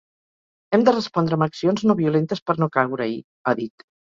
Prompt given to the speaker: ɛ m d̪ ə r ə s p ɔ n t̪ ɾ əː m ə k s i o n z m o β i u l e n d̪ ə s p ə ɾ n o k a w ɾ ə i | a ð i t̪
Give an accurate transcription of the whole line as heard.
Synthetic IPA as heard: ɛ m d̪ ə r ə s p ɔ n d̪ ɾ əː m ə k s i o n z n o β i u l e n t̪ ə s p ə ɾ n o k a w ɾ ə i | a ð i t̪